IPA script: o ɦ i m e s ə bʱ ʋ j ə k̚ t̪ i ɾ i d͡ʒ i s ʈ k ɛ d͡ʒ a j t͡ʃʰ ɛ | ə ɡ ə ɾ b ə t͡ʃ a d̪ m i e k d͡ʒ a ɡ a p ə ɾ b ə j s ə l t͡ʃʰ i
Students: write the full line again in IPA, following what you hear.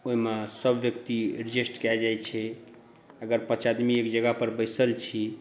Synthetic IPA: o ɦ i m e s ə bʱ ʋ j ə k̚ t̪ i ɾ i d͡ʒ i s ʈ k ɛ d͡ʒ a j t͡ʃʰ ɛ | ə ɡ ə ɾ p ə t͡ʃ a d̪ m i e k d͡ʒ ə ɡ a p ə ɾ b ə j s ə l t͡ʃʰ i